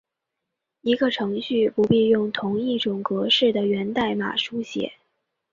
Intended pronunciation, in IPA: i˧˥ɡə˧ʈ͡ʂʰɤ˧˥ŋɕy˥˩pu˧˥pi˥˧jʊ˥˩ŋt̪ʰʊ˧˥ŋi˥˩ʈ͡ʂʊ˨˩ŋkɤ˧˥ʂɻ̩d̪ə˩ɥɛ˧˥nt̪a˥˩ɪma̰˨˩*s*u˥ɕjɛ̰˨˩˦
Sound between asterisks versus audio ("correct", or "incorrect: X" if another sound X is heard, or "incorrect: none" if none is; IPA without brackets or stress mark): incorrect: ʂ